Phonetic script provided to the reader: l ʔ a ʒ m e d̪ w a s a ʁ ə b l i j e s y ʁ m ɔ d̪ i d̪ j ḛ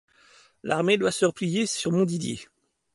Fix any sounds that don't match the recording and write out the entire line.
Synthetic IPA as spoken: l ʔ a ʁ m e d̪ w a s ə ʁ ə p l i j e s y ʁ m ɔ̃ d̪ i d̪ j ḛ